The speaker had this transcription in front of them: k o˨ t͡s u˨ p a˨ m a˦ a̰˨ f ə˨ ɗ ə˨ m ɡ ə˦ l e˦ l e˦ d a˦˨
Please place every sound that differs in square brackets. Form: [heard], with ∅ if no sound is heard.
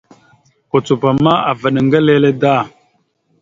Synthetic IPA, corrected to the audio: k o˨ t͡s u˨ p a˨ m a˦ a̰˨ [v] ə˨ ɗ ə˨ [ŋ] ɡ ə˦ l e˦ l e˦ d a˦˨